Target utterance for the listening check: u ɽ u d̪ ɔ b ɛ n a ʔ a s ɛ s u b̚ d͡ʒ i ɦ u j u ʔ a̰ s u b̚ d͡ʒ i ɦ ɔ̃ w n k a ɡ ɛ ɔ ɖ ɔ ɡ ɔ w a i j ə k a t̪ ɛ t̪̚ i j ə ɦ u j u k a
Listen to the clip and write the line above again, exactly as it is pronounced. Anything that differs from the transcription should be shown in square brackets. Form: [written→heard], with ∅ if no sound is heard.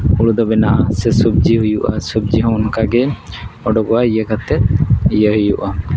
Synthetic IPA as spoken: u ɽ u d̪ ɔ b ɛ n a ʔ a s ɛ s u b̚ d͡ʒ i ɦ u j u ʔ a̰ s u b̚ d͡ʒ i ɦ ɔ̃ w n k a ɡ ɛ ɔ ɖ ɔ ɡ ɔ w a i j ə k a t̪ ɛ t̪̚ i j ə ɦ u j u [k→ʔ] a